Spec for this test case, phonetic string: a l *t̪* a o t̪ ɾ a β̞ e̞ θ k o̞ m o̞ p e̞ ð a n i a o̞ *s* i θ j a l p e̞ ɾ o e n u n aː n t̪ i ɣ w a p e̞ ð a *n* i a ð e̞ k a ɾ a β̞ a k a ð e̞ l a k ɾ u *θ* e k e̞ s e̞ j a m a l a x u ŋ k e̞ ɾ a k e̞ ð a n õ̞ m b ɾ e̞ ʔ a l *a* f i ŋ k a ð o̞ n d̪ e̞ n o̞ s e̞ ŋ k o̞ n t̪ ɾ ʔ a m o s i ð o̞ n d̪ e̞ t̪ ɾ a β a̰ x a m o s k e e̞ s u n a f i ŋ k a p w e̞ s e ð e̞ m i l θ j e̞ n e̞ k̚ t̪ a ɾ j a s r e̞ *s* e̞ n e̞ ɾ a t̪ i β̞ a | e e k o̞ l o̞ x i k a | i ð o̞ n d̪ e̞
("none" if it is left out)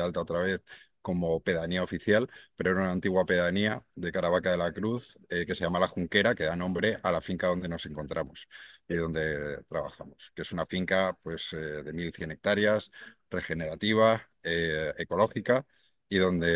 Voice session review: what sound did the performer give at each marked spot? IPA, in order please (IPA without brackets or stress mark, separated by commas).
t̪, f, n, θ, a, x